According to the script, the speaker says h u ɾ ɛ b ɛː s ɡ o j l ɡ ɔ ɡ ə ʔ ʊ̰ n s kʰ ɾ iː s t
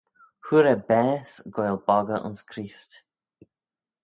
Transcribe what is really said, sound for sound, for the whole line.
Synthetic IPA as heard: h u ɾ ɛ b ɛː s ɡ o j l b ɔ ɡ ə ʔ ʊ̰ n s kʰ ɾ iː s t